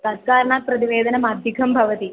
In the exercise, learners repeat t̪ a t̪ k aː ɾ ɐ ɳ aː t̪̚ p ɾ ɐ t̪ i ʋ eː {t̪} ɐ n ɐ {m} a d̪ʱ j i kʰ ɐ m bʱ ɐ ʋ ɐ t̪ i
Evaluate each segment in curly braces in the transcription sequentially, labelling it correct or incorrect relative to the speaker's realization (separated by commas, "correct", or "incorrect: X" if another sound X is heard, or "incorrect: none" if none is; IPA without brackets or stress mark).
incorrect: d̪, correct